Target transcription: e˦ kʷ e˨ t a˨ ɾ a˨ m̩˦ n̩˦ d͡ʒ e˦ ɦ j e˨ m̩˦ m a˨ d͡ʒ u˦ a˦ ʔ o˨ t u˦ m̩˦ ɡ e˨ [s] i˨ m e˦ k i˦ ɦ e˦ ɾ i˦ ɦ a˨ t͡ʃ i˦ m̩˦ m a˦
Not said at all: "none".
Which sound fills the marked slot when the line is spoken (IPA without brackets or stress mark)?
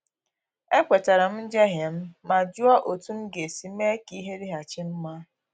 s